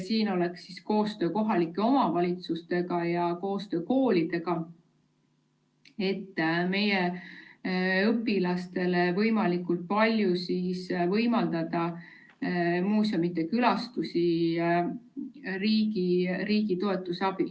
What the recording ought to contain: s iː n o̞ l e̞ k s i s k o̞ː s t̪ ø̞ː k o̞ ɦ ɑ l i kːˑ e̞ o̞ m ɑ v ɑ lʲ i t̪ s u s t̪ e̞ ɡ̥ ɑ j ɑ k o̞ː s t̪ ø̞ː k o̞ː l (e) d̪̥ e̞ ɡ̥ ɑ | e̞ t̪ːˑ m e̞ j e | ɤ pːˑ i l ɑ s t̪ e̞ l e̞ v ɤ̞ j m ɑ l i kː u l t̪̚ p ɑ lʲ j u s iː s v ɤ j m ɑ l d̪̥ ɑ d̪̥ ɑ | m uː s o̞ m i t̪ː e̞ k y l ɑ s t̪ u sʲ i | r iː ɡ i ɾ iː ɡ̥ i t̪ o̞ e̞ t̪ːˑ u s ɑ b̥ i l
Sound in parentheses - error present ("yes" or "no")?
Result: yes